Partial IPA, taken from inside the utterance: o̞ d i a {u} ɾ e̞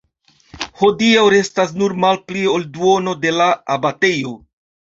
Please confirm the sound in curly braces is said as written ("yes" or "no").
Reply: no